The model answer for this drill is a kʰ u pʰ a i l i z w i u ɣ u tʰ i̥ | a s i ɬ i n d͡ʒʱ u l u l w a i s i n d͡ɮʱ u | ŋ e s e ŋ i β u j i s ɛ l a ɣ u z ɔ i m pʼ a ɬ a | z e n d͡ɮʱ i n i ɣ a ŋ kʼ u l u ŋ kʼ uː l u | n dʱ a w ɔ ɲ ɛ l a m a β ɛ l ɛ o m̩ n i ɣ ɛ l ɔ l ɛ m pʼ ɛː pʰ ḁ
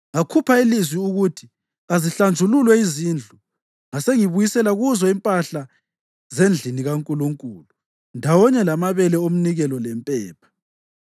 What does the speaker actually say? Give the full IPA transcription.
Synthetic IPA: a kʰ u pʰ a i l i z w i u ɣ u tʰ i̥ | a z i ɬ a n d͡ʒʱ u l u l w ɛ i z i n d͡ɮʱ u | ŋ a s e ŋ i β u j i s ɛ l a ɣ u z ɔ i m pʼ a ɬ a | z e n d͡ɮʱ i n i ɣ a ŋ kʼ u l u ŋ kʼ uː l u | n dʱ a w ɔ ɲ ɛ l a m a β ɛ l ɛ o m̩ n i ɣ ɛ l ɔ l ɛ m pʼ ɛː pʰ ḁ